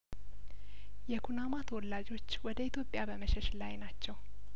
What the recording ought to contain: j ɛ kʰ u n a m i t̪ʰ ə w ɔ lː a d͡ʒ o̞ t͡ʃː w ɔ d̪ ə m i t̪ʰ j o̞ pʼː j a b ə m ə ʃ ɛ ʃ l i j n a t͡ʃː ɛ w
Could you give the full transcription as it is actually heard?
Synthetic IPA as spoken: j ɛ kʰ u n a m a t̪ʰ ə w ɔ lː a d͡ʒ o̞ t͡ʃː w ɔ d̪ ə i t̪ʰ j o̞ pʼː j a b ə m ə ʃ ɛ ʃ l a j n a t͡ʃː ɛ w